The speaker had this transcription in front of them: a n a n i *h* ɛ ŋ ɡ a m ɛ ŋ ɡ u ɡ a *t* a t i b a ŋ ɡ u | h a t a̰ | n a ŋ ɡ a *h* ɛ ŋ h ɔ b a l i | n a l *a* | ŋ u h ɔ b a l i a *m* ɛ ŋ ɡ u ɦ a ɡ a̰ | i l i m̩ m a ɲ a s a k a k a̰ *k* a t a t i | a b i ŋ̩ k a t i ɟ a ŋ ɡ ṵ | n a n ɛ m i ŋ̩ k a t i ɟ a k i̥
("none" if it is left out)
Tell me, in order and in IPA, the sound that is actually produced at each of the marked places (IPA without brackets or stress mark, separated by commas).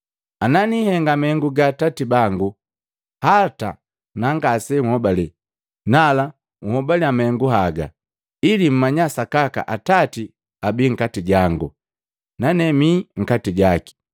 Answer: h, t, s, a, m, ʔ